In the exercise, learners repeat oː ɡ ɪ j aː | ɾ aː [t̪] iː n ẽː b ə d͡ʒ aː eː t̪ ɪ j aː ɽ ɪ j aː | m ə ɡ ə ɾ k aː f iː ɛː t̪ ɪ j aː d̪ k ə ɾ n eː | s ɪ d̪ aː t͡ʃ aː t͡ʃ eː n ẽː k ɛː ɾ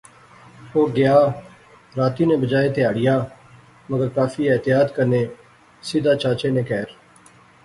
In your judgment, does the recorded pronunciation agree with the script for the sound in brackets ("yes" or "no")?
yes